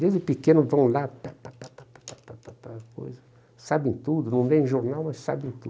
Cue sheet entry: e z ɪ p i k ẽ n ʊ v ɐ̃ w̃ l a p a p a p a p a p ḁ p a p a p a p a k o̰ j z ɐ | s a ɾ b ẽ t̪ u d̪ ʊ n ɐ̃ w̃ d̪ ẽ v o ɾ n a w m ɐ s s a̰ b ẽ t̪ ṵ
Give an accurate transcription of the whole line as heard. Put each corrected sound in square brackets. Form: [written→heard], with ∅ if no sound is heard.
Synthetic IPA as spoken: e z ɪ p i k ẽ n ʊ v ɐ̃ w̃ l a p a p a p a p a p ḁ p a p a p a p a k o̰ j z ɐ | s a [ɾ→∅] b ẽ t̪ u d̪ ʊ n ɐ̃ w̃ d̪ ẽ [v→ʒ] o ɾ n a w m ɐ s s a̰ b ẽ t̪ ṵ